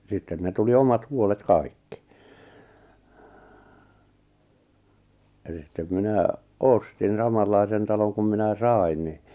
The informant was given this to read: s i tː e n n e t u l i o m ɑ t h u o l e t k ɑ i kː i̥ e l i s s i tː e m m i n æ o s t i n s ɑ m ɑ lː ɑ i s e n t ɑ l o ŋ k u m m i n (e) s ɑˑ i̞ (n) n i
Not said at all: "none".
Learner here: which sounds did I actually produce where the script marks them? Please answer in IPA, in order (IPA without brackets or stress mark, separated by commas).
æ, n